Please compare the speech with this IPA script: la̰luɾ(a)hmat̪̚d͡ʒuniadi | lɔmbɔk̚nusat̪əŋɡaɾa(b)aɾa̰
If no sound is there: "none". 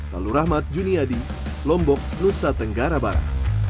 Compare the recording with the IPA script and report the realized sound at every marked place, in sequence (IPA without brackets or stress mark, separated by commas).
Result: a, b